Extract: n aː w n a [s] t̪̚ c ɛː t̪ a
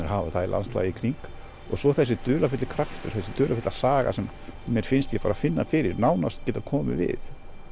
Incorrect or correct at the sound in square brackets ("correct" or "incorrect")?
correct